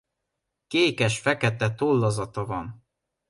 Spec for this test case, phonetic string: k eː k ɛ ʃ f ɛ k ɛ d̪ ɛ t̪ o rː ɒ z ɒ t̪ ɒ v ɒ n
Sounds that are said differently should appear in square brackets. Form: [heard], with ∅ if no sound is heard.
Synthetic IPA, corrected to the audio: k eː k ɛ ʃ f ɛ k ɛ [t̪] ɛ t̪ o [lː] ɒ z ɒ t̪ ɒ v ɒ n